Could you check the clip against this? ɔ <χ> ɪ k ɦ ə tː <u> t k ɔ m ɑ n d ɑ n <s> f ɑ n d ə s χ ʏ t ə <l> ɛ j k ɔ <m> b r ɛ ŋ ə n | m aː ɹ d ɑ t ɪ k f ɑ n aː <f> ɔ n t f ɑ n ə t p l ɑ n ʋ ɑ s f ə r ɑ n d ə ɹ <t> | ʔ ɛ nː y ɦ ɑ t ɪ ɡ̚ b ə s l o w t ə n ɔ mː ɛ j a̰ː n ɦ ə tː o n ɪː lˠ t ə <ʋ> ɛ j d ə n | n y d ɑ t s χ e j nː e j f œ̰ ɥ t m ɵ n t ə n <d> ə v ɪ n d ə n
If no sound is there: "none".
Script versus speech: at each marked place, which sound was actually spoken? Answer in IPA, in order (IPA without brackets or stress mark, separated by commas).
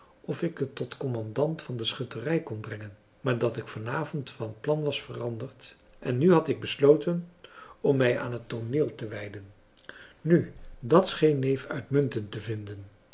f, ɔ, t, r, n, v, t, ʋ, t